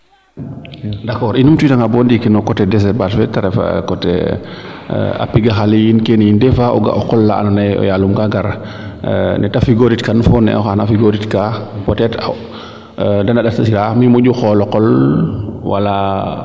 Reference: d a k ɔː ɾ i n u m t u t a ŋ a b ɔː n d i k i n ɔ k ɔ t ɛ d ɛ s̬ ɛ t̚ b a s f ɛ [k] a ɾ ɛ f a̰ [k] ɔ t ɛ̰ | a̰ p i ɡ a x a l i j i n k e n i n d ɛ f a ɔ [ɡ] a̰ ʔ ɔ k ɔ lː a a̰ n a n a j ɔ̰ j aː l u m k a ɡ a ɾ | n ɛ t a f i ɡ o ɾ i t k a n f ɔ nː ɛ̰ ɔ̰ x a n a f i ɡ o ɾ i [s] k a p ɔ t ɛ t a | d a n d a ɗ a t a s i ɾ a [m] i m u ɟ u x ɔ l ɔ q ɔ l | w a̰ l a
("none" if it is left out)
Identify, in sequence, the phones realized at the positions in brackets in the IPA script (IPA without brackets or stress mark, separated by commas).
t, k, ɡ, t, m